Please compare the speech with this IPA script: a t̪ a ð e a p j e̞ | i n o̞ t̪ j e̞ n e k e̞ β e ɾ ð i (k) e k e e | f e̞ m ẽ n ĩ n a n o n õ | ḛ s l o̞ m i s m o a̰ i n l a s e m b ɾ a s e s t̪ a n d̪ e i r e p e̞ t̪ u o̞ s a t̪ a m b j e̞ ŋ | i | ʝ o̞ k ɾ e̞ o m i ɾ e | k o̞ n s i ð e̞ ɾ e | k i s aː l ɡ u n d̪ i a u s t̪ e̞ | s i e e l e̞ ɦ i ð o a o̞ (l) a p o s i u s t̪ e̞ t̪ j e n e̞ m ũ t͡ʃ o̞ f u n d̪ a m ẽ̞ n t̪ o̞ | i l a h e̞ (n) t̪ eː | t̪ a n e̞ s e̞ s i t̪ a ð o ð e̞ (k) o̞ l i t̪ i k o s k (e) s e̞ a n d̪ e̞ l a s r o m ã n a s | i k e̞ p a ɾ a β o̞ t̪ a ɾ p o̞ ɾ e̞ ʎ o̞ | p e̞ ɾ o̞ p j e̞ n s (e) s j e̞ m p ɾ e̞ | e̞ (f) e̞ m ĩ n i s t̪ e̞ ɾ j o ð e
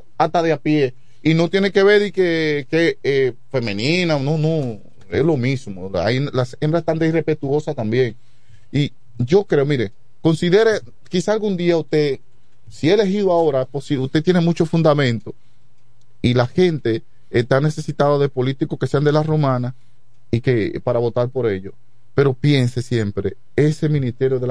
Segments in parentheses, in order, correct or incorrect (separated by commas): correct, incorrect, correct, incorrect, correct, correct, incorrect